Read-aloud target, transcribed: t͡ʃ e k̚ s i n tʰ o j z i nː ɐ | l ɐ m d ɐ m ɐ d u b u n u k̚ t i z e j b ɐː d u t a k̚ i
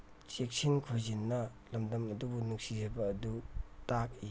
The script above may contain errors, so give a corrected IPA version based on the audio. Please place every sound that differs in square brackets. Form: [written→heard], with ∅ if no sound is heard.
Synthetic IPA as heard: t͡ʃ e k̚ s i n [tʰ→kʰ] o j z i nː ɐ | l ɐ m d ɐ m ɐ d u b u n u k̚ [t→s] i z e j b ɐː d u t a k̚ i